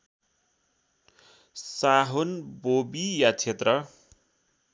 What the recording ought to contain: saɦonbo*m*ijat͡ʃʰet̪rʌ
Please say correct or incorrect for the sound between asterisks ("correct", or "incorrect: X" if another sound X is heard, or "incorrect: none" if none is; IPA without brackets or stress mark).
incorrect: b